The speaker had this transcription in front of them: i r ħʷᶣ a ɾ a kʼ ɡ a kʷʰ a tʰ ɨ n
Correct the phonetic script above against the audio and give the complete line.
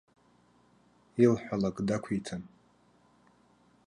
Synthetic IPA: i l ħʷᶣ a l a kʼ d a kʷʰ i tʰ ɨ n